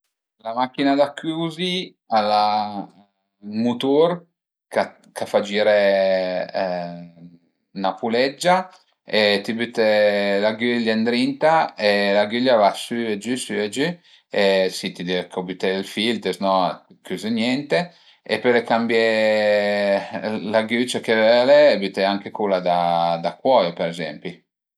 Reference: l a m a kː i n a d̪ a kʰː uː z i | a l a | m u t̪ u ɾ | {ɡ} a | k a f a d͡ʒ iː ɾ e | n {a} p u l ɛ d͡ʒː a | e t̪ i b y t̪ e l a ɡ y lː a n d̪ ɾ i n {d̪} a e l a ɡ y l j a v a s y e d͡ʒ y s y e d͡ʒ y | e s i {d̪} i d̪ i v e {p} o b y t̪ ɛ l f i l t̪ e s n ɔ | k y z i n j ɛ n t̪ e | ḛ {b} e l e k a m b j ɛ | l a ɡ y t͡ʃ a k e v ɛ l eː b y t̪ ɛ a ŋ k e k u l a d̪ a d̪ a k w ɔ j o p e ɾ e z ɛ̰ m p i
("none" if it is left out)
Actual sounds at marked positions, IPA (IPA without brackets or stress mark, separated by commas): k, a, t̪, t̪, k, p